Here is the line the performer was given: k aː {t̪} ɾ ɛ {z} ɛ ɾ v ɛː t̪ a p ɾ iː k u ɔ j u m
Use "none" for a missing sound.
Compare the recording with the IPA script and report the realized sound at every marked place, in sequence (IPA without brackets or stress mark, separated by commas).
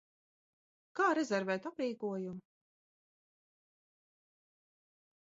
none, z